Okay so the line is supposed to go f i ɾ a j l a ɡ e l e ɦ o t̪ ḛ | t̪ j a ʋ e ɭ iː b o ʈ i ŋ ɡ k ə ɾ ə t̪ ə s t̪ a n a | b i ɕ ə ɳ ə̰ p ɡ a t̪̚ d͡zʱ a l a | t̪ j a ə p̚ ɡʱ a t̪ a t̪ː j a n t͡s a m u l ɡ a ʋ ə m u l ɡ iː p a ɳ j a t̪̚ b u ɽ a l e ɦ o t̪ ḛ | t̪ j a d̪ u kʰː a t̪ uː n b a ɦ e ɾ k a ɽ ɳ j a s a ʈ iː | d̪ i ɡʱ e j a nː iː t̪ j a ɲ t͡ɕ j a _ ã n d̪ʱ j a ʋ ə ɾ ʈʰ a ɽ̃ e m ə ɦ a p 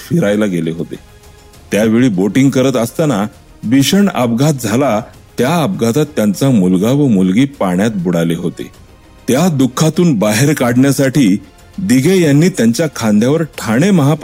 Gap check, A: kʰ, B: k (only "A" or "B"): A